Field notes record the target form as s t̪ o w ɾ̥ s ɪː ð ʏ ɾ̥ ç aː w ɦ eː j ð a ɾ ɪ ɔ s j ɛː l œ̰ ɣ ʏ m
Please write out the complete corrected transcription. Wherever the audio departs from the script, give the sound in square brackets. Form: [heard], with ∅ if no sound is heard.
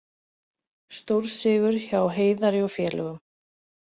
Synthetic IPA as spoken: s t̪ o w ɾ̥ s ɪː [ɣ] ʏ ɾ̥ ç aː w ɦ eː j ð a ɾ ɪ ɔ [f] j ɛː l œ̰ ɣ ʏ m